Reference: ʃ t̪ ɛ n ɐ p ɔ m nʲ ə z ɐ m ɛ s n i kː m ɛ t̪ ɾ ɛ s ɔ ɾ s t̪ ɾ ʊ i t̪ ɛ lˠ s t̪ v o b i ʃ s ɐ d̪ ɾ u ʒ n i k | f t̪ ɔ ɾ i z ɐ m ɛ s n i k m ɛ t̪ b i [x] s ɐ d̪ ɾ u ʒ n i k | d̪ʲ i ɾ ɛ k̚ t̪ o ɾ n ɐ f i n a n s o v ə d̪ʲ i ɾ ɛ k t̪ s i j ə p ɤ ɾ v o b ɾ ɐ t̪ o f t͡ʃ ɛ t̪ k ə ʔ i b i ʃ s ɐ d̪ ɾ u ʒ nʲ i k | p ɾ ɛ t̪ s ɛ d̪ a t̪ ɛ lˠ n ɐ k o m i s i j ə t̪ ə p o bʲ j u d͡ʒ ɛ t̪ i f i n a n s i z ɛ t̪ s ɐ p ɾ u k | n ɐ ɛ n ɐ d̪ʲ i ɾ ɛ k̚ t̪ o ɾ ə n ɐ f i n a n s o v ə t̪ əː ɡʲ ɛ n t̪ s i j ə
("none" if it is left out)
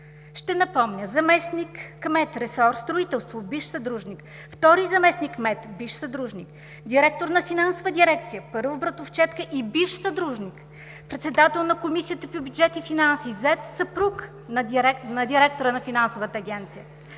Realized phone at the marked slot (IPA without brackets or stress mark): ʃ